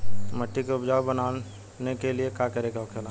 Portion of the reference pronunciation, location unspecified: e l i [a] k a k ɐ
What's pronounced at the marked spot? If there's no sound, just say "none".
e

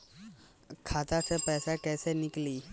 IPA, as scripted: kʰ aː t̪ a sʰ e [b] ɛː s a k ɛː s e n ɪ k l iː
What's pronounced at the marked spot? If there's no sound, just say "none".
p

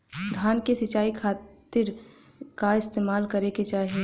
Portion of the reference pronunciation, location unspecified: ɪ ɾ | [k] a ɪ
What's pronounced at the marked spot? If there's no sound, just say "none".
k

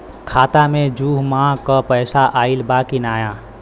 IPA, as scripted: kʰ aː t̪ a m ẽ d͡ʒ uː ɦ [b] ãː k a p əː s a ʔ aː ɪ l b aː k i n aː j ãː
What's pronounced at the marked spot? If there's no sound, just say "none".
m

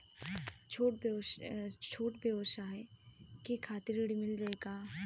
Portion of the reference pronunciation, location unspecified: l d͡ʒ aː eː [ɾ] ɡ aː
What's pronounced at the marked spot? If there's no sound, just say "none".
none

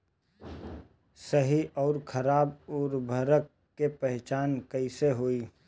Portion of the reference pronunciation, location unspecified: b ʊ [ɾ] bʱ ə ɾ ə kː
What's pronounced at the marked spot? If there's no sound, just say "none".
ɾ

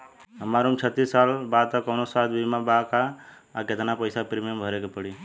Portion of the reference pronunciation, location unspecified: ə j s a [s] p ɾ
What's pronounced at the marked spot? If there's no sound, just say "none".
none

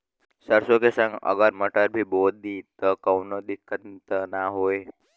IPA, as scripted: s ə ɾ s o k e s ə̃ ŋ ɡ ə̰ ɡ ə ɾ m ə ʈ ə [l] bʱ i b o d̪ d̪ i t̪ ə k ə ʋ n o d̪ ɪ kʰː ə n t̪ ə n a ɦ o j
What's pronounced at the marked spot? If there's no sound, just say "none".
ɾ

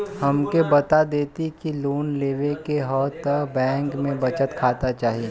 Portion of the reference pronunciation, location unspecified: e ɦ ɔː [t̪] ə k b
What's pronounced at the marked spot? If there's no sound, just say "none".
t̪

